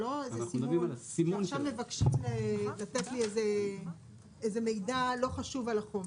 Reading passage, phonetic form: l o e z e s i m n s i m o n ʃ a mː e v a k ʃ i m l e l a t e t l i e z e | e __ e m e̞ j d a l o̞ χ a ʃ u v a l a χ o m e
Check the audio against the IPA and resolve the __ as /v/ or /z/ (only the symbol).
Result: z